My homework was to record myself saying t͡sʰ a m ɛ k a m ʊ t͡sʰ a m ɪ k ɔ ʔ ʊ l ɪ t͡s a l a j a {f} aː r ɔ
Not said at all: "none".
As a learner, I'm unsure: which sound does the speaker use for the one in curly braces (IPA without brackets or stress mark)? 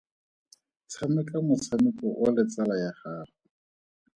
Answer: χ